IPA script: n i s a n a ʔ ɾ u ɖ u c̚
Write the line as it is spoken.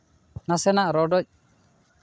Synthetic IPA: n a s ɛ n a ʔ ɾ ɔ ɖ ɔ c̚